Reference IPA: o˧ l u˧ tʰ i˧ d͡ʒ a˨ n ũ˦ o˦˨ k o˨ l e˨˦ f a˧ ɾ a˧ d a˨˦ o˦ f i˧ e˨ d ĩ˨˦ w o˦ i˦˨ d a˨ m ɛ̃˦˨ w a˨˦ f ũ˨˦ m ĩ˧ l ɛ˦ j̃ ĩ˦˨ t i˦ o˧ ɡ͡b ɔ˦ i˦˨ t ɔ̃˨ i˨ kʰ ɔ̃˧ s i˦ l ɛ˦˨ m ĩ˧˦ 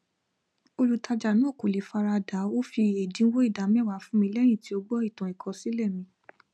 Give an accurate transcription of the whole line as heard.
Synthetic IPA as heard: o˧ l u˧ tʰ a˧ d͡ʒ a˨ n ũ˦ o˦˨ k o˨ l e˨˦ f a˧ ɾ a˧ d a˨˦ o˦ f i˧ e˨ d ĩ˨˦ w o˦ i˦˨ d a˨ m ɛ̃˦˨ w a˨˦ f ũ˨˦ m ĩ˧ l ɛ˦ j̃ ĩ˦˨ t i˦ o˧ ɡ͡b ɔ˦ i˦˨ t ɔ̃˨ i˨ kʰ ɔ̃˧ s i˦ l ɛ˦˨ m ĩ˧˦